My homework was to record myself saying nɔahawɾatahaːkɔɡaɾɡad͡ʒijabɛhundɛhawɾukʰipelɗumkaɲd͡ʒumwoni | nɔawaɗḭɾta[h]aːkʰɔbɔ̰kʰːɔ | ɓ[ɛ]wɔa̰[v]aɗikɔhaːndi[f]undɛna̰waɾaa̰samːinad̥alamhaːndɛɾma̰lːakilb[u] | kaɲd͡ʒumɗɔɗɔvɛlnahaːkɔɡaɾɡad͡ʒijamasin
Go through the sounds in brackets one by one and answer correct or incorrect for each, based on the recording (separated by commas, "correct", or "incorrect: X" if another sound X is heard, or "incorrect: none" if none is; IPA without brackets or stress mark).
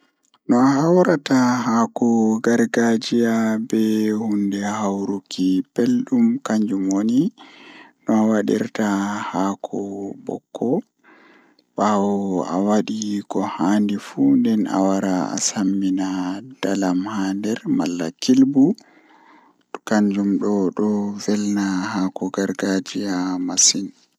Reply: correct, incorrect: a, incorrect: w, correct, correct